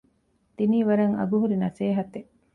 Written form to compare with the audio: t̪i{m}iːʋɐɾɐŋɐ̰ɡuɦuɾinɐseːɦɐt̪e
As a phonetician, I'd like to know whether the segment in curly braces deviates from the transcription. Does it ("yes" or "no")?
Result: yes